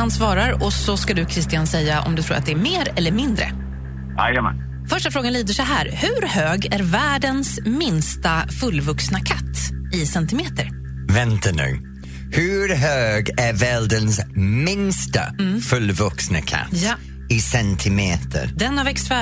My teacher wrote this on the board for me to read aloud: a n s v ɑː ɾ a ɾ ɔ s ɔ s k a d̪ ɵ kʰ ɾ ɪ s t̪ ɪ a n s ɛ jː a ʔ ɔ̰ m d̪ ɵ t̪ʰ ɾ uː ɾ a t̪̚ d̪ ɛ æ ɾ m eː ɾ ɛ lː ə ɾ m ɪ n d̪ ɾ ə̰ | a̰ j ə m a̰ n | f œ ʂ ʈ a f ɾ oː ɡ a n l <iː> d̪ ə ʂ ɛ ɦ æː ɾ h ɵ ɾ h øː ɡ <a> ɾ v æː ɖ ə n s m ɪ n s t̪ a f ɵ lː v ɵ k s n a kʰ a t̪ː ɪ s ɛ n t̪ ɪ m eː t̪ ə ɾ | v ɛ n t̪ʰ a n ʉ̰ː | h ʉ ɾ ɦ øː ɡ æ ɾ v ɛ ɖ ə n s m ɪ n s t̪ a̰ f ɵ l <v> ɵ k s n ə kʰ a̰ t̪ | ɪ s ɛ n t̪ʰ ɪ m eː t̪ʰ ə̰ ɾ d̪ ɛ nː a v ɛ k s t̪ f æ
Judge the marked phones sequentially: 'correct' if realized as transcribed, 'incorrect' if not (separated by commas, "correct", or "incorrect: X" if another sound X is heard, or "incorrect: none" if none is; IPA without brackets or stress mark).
correct, incorrect: æ, correct